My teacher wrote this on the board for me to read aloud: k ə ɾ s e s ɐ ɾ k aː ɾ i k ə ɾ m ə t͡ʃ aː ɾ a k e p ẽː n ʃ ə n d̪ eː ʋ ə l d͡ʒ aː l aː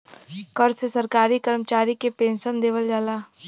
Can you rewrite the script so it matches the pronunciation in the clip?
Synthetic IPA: k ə ɾ s e s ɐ ɾ k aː ɾ i k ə ɾ m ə t͡ʃ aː ɾ i k e p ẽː n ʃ ə n d̪ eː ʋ ə l d͡ʒ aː l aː